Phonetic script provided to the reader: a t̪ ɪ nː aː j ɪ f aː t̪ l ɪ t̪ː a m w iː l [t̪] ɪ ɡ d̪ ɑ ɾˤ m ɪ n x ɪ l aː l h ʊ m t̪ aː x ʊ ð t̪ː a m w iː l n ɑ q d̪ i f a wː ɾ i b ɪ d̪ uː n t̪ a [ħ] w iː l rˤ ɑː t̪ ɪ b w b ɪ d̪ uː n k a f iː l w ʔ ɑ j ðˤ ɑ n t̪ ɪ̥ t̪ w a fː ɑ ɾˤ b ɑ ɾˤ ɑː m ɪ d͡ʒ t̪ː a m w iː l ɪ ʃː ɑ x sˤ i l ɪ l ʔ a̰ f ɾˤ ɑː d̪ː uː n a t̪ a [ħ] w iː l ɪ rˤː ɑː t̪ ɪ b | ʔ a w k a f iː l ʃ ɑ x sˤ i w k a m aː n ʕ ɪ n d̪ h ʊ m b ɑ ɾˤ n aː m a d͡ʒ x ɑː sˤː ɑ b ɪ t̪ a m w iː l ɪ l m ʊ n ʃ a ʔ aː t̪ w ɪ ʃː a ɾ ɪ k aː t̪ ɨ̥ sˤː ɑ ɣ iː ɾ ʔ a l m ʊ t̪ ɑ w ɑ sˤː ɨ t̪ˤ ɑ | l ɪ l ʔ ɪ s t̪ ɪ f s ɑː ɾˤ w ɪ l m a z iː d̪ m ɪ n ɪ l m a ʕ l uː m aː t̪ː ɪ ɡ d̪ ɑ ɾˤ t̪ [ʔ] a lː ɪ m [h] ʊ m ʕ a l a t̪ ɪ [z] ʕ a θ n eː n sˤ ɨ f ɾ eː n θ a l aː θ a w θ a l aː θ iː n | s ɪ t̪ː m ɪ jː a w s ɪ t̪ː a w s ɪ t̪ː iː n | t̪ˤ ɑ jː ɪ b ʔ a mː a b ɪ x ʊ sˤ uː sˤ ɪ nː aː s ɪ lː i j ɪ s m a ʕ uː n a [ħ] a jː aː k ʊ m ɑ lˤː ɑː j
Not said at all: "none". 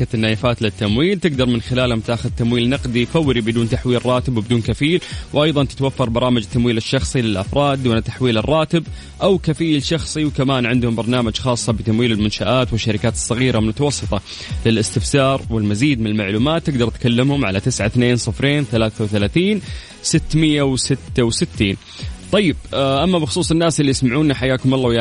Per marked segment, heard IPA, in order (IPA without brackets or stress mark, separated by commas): t̪, ħ, ħ, k, h, s, ħ